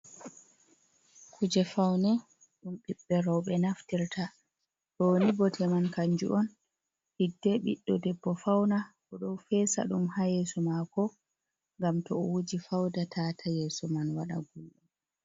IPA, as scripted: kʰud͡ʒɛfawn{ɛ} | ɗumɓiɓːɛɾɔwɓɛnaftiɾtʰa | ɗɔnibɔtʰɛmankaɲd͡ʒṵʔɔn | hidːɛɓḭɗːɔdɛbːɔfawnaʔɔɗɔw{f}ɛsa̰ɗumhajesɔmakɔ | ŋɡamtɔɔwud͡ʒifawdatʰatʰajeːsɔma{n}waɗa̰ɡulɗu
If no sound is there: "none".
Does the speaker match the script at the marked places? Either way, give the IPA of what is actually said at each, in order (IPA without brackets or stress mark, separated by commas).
ɛ, f, n